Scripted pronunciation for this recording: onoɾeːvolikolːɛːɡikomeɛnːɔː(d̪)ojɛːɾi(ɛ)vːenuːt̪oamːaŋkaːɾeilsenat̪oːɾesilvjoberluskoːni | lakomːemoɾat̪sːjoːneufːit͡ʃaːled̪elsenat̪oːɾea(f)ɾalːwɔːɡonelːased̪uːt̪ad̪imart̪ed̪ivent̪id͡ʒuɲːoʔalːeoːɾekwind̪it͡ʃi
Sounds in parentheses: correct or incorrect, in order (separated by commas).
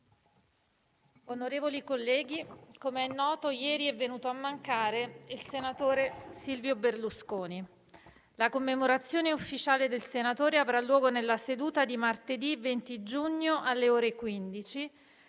incorrect, correct, incorrect